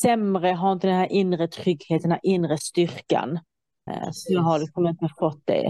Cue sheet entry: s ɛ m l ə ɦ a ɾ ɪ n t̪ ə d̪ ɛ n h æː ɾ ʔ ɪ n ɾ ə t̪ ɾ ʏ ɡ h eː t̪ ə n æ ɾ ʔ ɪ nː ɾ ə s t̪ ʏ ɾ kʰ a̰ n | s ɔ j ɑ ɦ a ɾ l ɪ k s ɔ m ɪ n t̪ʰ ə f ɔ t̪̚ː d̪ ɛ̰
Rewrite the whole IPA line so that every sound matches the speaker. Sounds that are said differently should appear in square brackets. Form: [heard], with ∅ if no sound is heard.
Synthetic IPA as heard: s ɛ m [ɾ] ə ɦ a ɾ ɪ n t̪ ə d̪ ɛ n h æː ɾ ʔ ɪ n ɾ ə [t̪ʰ] ɾ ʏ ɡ h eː t̪ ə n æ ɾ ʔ ɪ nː ɾ ə s t̪ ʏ ɾ [k] a̰ n | s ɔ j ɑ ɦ a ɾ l ɪ k s ɔ m ɪ n [t̪] ə f ɔ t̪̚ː d̪ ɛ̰